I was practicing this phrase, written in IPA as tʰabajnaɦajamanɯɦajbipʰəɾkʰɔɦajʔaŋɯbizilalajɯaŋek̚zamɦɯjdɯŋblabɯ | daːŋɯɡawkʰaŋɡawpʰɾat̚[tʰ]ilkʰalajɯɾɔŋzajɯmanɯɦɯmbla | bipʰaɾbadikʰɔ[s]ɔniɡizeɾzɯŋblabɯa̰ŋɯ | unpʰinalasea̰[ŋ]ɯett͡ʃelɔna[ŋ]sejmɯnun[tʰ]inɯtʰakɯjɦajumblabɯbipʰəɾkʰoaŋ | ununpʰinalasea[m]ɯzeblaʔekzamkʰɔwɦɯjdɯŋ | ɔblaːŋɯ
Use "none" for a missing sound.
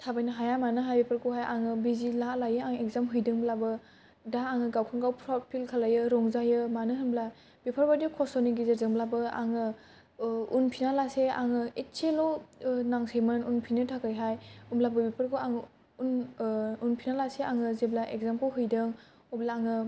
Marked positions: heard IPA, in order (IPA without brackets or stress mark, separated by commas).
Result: pʰ, s, ŋ, ŋ, pʰ, ŋ